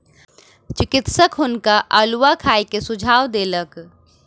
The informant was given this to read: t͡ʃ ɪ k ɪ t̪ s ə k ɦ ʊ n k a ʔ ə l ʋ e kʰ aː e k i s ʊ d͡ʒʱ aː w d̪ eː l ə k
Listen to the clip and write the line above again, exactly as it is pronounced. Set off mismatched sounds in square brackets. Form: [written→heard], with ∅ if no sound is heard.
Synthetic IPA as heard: t͡ʃ ɪ k ɪ t̪ s ə k ɦ ʊ n k a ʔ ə l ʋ [e→a] kʰ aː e k [i→e] s ʊ d͡ʒʱ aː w d̪ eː l ə k